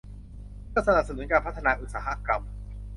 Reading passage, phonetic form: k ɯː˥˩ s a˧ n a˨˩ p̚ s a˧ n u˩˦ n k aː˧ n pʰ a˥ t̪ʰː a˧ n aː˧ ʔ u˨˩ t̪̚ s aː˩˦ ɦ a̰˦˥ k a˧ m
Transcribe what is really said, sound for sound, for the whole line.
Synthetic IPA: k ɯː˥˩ s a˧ n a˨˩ p̚ s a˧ n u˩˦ n k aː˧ n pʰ a˥ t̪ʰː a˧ n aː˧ ʔ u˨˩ t̪̚ s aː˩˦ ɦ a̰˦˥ k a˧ m